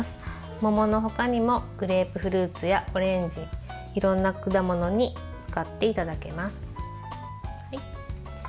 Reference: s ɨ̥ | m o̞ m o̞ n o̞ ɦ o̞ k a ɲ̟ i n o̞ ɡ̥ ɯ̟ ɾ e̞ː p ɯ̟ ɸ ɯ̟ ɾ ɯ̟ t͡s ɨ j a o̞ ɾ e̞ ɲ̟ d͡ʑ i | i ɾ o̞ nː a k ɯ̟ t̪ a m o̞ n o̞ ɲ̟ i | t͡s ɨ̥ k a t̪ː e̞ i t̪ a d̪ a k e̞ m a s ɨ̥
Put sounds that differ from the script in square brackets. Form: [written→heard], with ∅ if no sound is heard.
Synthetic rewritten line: s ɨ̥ | m o̞ m o̞ n o̞ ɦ o̞ k a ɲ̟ i [n→m] o̞ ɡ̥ ɯ̟ ɾ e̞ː p ɯ̟ ɸ ɯ̟ ɾ [ɯ̟→ɯ̟ː] t͡s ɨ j a o̞ ɾ [e̞→ẽ̞] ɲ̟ d͡ʑ i | i ɾ [o̞→õ̞] nː a k ɯ̟ [t̪→d̪] a m o̞ n o̞ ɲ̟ i | t͡s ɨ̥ k a t̪ː e̞ i t̪ a d̪ a k e̞ m a s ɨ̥